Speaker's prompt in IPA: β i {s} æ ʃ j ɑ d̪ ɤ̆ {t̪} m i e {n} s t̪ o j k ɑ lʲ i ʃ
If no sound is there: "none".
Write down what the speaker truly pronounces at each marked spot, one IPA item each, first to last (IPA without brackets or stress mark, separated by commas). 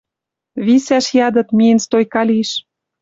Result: s, t̪, n